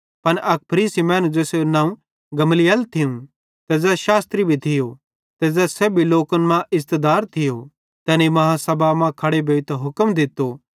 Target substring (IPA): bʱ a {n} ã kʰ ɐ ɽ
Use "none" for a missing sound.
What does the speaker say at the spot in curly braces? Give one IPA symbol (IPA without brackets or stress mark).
m